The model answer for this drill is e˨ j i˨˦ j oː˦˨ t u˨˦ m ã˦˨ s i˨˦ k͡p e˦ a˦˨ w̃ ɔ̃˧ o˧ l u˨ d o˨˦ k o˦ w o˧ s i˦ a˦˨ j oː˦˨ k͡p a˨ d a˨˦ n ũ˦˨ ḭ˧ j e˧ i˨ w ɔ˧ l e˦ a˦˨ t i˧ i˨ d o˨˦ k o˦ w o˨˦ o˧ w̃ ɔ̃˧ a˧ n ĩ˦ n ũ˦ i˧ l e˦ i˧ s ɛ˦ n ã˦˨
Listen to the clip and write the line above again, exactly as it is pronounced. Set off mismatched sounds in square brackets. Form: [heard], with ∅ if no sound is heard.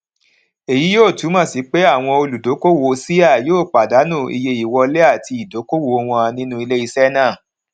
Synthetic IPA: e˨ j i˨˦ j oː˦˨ t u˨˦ m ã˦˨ s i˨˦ k͡p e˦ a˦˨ w̃ ɔ̃˧ o˧ l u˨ d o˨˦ k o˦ w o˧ s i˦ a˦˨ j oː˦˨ k͡p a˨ d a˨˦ n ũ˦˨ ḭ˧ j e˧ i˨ w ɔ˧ l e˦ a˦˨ t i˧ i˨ d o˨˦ k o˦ w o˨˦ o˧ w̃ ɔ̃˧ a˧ n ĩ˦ n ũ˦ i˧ l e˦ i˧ s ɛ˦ n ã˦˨